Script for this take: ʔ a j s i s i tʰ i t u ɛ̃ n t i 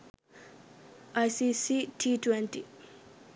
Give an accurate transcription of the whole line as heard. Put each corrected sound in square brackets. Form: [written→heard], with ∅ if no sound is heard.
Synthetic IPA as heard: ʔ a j s i s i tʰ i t [u→w] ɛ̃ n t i